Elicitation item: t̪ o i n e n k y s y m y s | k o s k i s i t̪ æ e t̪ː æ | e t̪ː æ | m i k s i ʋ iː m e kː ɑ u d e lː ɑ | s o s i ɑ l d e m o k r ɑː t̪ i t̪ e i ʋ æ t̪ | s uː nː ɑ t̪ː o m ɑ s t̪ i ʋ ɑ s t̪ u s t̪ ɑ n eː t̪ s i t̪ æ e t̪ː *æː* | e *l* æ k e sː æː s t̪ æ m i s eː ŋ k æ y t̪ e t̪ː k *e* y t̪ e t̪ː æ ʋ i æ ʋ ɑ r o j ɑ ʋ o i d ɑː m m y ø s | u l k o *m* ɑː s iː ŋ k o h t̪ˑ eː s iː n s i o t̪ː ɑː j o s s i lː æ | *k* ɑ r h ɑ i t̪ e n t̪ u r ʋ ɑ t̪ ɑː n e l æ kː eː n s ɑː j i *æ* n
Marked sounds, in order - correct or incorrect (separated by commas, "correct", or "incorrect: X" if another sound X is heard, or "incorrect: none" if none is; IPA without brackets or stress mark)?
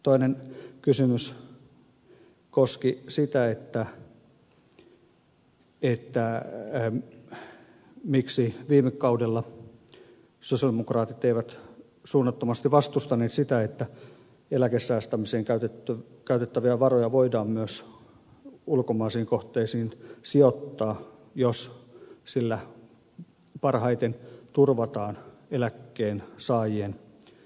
incorrect: æ, correct, incorrect: æ, correct, incorrect: p, incorrect: e